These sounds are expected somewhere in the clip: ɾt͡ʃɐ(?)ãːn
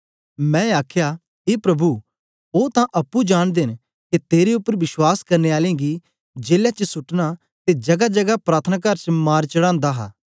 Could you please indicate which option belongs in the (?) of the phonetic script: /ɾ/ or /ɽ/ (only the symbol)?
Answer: ɽ